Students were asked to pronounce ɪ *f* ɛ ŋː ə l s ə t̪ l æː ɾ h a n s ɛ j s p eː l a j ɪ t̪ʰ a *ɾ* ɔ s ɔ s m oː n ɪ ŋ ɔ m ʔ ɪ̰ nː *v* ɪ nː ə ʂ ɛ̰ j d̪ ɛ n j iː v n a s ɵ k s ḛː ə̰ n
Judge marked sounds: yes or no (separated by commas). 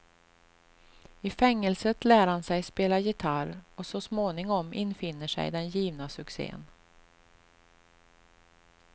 yes, yes, no